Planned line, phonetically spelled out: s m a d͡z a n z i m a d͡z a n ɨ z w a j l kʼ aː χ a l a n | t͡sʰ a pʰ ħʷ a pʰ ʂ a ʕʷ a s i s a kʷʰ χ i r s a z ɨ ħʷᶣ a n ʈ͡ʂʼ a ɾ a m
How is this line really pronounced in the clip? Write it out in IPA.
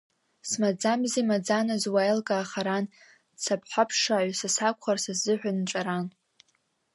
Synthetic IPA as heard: s m a d͡z a m z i m a d͡z a n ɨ z w a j l kʼ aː χ a ɾ a n | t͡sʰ a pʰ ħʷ a pʰ ʂ a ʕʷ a s a s a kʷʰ χ a r s a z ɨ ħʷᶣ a n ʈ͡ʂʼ a ɾ a n